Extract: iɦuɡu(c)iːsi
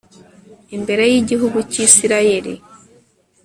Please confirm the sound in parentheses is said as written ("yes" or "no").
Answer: yes